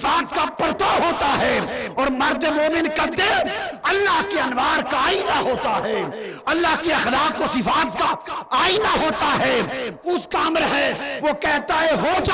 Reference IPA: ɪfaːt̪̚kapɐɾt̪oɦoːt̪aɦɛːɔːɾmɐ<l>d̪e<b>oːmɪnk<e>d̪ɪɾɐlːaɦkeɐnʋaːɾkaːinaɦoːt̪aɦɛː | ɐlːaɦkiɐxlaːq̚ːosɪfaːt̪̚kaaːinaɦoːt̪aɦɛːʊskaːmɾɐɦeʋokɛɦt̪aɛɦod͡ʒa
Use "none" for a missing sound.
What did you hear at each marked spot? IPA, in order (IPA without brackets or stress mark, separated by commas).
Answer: ɾ, m, a